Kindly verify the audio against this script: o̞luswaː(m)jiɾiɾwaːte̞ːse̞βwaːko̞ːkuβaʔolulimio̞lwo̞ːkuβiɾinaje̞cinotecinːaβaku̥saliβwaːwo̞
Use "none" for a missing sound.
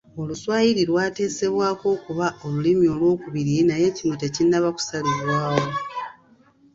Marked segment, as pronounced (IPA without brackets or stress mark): none